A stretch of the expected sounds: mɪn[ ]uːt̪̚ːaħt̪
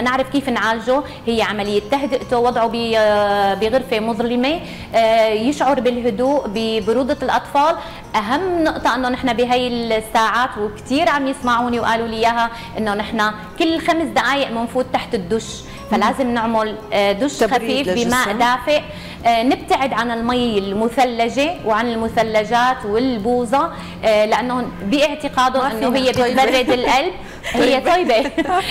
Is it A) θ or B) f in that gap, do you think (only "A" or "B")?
B